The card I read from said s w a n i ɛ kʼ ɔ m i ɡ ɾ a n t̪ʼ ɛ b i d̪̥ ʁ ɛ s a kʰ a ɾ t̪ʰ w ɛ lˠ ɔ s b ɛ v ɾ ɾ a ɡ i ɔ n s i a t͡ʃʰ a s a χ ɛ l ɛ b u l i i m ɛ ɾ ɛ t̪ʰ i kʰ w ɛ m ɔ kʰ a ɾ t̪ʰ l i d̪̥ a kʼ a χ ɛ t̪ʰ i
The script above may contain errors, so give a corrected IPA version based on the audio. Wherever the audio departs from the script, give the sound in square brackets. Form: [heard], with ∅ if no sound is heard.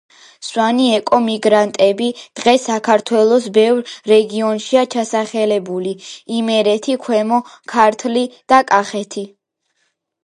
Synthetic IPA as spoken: s w a n i ɛ kʼ ɔ m i ɡ ɾ a n t̪ʼ ɛ b i d̪̥ ʁ ɛ s a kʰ a ɾ t̪ʰ w ɛ lˠ ɔ s b ɛ v ɾ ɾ [ɛ] ɡ i ɔ n [ʃ] i a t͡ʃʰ a s a χ ɛ l ɛ b u l i i m ɛ ɾ ɛ t̪ʰ i kʰ w ɛ m ɔ kʰ a ɾ t̪ʰ l i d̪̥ a kʼ a χ ɛ t̪ʰ i

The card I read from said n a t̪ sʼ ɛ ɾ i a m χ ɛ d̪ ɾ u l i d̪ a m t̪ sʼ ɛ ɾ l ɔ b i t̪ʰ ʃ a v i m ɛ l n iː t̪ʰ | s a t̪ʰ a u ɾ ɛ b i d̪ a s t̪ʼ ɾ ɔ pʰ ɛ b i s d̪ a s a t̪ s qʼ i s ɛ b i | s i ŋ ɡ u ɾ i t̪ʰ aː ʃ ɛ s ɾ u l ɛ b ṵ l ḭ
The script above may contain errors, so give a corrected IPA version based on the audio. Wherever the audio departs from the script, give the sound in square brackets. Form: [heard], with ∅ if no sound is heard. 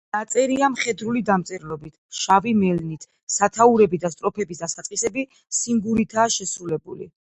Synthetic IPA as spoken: n a t̪ sʼ ɛ ɾ i a m χ ɛ d̪ ɾ u l i d̪ a m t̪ sʼ ɛ ɾ l ɔ b i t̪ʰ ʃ a v i m ɛ l n [i] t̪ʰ | s a t̪ʰ a u ɾ ɛ b i d̪ a s t̪ʼ ɾ ɔ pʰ ɛ b i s d̪ a s a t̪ s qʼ i s ɛ b i | s i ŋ ɡ u ɾ i t̪ʰ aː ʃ ɛ s ɾ u l ɛ b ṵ l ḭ

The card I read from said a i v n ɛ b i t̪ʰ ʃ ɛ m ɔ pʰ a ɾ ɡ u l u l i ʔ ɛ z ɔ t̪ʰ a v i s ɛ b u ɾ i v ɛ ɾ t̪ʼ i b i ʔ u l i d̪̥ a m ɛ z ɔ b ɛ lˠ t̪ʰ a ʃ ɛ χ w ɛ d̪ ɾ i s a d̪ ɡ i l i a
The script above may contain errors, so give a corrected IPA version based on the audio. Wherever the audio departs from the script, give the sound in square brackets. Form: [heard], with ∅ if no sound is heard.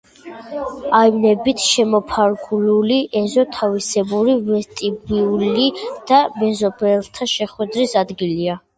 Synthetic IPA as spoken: a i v n ɛ b i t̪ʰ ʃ ɛ m ɔ pʰ a ɾ ɡ u l u l i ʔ ɛ z ɔ t̪ʰ a v i s ɛ b u ɾ i v ɛ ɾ t̪ʼ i b i [∅] u l i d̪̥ a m ɛ z ɔ b ɛ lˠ t̪ʰ a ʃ ɛ χ w ɛ d̪ ɾ i s a d̪ ɡ i l i a

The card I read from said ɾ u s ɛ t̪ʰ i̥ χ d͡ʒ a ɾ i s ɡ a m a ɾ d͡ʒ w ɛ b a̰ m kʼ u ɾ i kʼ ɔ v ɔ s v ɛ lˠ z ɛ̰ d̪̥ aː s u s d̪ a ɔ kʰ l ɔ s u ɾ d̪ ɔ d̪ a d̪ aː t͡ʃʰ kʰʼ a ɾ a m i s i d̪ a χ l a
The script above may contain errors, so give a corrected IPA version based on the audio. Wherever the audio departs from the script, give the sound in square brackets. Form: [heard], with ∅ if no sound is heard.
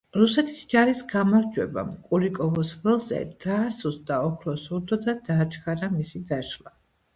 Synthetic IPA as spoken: ɾ u s ɛ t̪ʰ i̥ [s] d͡ʒ a ɾ i s ɡ a m a ɾ d͡ʒ w ɛ b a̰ m kʼ u ɾ i kʼ ɔ v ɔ s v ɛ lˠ z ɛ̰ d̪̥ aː s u s d̪ a ɔ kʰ l ɔ s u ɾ d̪ ɔ d̪ a d̪ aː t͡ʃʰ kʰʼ a ɾ a m i s i d̪ a [ʃ] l a

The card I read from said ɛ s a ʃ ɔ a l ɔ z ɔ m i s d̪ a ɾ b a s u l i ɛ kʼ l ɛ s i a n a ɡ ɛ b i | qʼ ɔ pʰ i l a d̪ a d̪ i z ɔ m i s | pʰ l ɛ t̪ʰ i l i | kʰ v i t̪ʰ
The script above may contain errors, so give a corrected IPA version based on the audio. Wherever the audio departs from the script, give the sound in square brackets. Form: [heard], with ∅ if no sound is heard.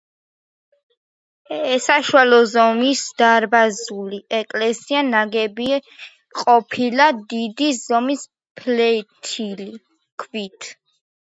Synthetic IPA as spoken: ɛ s a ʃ [u] a l ɔ z ɔ m i s d̪ a ɾ b a [z] u l i ɛ kʼ l ɛ s i a n a ɡ ɛ b i | qʼ ɔ pʰ i l a d̪ [i] d̪ i z ɔ m i s | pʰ l ɛ t̪ʰ i l i | kʰ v i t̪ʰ

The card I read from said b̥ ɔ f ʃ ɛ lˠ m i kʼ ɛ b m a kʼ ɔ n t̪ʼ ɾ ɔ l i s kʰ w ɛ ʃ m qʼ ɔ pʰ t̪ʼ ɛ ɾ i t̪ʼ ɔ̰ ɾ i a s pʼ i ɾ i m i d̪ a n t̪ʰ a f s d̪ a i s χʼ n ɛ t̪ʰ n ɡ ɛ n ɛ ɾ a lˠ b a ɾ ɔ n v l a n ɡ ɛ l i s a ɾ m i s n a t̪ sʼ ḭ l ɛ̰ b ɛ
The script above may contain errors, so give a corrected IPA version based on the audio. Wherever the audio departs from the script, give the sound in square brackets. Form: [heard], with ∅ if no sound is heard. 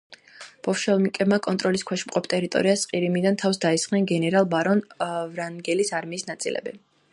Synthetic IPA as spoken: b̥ ɔ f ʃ ɛ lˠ m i kʼ ɛ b m a kʼ ɔ n t̪ʼ ɾ ɔ l i s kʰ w ɛ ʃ m qʼ ɔ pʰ t̪ʼ ɛ ɾ i t̪ʼ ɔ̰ ɾ i a s [qʼ] i ɾ i m i d̪ a n t̪ʰ a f s d̪ a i s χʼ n ɛ [∅] n ɡ ɛ n ɛ ɾ a lˠ b a ɾ ɔ n v [ɾ] a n ɡ ɛ l i s a ɾ m [iː] s n a t̪ sʼ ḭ l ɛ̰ b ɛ

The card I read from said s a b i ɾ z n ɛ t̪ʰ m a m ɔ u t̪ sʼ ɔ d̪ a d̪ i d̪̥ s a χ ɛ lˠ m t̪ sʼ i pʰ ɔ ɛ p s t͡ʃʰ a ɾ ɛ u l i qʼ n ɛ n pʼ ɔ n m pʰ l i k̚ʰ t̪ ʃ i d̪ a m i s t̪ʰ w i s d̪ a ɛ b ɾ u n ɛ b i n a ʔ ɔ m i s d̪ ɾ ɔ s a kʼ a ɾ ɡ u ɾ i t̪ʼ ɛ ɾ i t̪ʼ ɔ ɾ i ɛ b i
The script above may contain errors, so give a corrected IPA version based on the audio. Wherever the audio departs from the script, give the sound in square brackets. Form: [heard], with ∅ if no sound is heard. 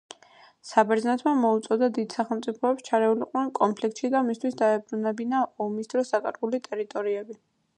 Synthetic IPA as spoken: s a b [ɛ] ɾ z n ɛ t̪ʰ m a m ɔ u t̪ sʼ ɔ d̪ a d̪ i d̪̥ s a χ ɛ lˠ m t̪ sʼ i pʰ ɔ ɛ p s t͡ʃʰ a ɾ ɛ u l i qʼ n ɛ n [kʼ] ɔ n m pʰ l i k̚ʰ t̪ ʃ i d̪ a m i s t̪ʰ w i s d̪ a ɛ b ɾ u n ɛ b i n a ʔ ɔ m i s d̪ ɾ ɔ s a kʼ a ɾ ɡ u [l] i t̪ʼ ɛ ɾ i t̪ʼ ɔ ɾ i ɛ b i

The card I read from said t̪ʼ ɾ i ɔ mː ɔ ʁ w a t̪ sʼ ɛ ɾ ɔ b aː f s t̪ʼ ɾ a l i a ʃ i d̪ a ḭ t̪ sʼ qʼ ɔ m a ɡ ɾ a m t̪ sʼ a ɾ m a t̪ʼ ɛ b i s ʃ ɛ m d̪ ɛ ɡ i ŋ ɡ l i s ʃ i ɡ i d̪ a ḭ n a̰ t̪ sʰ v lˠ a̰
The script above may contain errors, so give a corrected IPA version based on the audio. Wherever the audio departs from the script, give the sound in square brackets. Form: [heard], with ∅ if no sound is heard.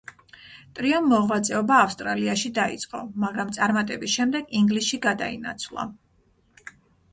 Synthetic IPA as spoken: t̪ʼ ɾ i ɔ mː ɔ ʁ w a t̪ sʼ ɛ [∅] ɔ b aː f s t̪ʼ ɾ a l i a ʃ i d̪ a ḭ t̪ sʼ qʼ ɔ m a ɡ ɾ a m t̪ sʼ a ɾ m a t̪ʼ ɛ b i s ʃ ɛ m d̪ ɛ ɡ i ŋ ɡ l i s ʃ i ɡ [a] d̪ a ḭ n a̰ t̪ sʰ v lˠ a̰

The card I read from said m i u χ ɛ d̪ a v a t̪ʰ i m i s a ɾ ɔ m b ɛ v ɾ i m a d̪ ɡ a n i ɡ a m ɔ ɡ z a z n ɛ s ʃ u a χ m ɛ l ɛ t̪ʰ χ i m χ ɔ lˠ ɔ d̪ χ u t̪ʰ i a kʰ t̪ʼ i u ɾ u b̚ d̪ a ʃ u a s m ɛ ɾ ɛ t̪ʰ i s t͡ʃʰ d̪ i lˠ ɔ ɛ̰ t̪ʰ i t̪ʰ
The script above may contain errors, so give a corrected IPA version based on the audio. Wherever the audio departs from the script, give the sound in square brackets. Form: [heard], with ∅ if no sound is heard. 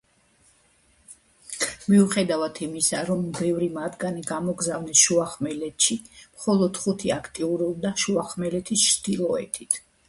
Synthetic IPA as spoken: m i u χ ɛ d̪ a v a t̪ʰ i m i s a ɾ ɔ m b ɛ v ɾ i m a d̪ ɡ a n i ɡ a m ɔ ɡ z a [v] n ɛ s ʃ u a χ m ɛ l ɛ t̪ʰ [ʃ] i m χ ɔ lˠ ɔ d̪ χ u t̪ʰ i a kʰ t̪ʼ i u ɾ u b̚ d̪ a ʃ u a [χ] m ɛ [l] ɛ t̪ʰ i s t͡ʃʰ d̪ i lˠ ɔ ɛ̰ t̪ʰ i t̪ʰ

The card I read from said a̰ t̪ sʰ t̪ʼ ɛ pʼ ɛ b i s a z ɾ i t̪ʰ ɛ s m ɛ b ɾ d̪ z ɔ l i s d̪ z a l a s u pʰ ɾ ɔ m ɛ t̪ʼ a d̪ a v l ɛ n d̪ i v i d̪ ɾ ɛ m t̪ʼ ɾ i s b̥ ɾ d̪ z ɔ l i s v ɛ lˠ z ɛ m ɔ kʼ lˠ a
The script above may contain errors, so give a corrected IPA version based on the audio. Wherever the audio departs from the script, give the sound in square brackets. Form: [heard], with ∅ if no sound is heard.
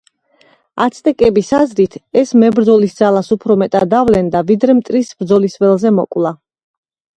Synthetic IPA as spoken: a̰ t̪ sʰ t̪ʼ ɛ [kʼ] ɛ b i s a z ɾ i t̪ʰ ɛ s m ɛ b ɾ d̪ z ɔ l i s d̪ z a l a s u pʰ ɾ ɔ m ɛ t̪ʼ a d̪ a v l ɛ n d̪ [a] v i d̪ ɾ ɛ m t̪ʼ ɾ i s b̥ ɾ d̪ z ɔ l i s v ɛ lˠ z ɛ m ɔ kʼ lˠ a

